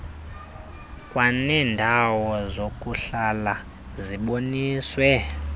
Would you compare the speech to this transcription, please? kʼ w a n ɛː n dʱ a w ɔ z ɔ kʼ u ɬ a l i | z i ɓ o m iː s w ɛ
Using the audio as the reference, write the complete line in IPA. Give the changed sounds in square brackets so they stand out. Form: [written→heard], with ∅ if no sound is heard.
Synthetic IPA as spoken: kʼ w a n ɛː n dʱ a w ɔ z [ɔ→o] kʼ u ɬ a l [i→a] | z i ɓ o [m→n] iː s w ɛ

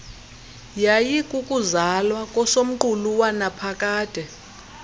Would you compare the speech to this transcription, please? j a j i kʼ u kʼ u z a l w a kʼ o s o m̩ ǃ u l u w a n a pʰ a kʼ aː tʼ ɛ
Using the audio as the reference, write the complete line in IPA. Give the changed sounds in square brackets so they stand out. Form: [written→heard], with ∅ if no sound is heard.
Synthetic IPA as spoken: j a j i kʼ u kʼ u z a l w a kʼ [o→ɔ] s o m̩ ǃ u l u w a n a pʰ a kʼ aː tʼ ɛ

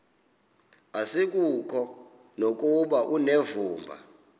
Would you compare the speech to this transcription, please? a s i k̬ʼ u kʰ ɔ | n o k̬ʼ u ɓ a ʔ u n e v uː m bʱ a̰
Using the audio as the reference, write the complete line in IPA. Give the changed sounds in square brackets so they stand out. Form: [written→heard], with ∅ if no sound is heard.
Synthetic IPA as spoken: a s i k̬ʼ u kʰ ɔ | n o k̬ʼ u ɓ a ʔ u n e v uː m bʱ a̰

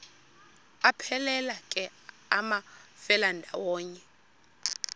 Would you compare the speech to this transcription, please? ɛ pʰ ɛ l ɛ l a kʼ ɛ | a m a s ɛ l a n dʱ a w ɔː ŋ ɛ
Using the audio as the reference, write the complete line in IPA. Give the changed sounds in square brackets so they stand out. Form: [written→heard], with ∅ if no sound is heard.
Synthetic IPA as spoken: [ɛ→a] pʰ ɛ l ɛ l a kʼ ɛ | a m a [s→f] ɛ l a n dʱ a w ɔː [ŋ→ɲ] ɛ

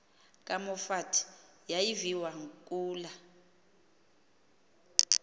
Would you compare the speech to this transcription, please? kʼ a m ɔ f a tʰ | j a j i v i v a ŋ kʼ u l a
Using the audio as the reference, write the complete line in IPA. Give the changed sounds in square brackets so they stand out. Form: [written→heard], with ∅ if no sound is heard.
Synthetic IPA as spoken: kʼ a m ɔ f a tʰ | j a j i v i [v→w] a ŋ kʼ [u→uː] l a

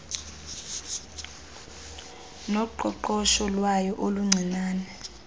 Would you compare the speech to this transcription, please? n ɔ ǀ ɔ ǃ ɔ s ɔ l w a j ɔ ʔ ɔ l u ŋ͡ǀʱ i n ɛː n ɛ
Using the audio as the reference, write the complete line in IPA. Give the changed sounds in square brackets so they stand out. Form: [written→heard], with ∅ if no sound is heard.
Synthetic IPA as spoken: n ɔ [ǀ→ǃ] ɔ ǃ ɔ [s→ʃ] ɔ l w a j ɔ ʔ [ɔ→o] l u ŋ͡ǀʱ i n [ɛː→aː] n ɛ

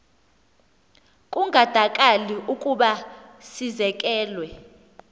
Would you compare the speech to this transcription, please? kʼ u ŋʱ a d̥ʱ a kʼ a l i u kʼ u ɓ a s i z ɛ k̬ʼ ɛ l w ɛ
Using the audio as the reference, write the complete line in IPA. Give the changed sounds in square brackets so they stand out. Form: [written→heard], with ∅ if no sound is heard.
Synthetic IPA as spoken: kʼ u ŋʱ a d̥ʱ a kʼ a l i u kʼ u ɓ a s i z ɛ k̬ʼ [ɛ→ɛː] l w ɛ

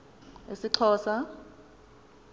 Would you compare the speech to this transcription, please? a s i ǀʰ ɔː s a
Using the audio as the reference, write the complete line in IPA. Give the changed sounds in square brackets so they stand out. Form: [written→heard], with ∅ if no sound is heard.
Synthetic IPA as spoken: [a→e] s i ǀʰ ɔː s a

